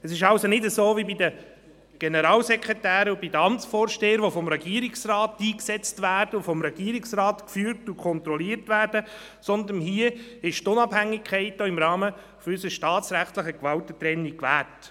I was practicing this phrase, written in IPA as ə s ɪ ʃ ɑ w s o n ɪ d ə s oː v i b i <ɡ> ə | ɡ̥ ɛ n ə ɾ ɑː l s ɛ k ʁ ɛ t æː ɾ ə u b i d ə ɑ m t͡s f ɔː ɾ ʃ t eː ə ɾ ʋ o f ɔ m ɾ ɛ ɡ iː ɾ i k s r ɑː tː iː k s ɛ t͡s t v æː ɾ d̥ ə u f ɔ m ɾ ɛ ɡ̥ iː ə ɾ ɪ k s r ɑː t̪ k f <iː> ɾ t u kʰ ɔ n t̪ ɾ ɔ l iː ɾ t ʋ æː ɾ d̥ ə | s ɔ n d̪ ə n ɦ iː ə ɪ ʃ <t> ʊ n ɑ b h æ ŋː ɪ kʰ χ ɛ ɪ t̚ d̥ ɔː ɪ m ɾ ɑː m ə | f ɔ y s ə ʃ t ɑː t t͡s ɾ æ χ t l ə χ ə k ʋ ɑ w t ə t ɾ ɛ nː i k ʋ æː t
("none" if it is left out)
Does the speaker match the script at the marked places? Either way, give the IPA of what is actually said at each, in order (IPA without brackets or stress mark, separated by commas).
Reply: d, yː, t